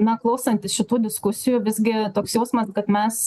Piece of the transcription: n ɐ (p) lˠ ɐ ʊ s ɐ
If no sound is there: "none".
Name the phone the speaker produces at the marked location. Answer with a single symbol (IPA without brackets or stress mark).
k